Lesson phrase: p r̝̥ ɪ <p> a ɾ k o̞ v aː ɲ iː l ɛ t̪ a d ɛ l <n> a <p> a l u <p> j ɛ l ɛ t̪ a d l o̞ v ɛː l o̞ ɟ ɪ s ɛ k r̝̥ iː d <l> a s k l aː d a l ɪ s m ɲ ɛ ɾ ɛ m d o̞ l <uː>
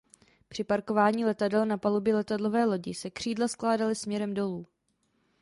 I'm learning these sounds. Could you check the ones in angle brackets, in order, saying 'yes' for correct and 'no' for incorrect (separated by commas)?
yes, yes, yes, no, yes, yes